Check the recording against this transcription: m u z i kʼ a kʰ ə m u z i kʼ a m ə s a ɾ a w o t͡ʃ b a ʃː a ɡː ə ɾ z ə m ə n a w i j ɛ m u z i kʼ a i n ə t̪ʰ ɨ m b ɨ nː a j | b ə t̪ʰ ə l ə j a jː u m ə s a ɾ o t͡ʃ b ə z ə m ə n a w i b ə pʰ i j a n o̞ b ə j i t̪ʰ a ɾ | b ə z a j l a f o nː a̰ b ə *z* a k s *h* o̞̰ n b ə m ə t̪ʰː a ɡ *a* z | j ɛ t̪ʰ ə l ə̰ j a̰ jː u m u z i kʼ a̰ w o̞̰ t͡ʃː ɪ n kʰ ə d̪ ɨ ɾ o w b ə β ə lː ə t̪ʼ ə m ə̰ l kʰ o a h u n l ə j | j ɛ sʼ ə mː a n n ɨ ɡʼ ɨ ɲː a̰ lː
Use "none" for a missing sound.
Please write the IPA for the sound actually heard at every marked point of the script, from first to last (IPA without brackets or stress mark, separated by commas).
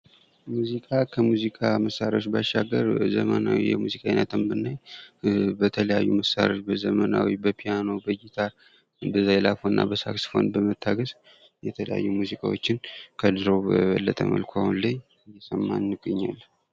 s, f, ə